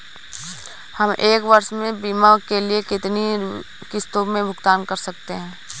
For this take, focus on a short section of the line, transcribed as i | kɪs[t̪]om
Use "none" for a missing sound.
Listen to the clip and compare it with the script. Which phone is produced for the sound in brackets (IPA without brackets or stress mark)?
t̪